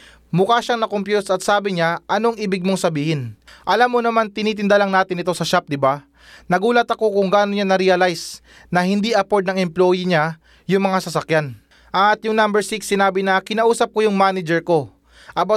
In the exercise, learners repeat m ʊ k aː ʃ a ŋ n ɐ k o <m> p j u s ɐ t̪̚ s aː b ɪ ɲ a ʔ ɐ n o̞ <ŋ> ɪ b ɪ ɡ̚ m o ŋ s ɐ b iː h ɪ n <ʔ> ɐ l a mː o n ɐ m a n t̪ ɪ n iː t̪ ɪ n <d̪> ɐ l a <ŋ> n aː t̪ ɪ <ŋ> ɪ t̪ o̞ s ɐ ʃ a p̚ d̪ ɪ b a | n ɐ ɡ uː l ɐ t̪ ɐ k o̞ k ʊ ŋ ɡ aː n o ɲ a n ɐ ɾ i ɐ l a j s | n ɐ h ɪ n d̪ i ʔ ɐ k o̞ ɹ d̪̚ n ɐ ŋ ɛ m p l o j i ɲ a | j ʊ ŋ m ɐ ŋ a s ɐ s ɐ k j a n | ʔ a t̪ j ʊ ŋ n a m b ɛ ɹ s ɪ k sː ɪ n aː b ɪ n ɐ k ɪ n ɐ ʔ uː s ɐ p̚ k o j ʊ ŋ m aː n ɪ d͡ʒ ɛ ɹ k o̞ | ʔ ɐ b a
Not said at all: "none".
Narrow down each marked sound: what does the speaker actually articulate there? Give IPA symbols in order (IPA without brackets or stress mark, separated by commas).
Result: m, ŋ, ʔ, d̪, ŋ, n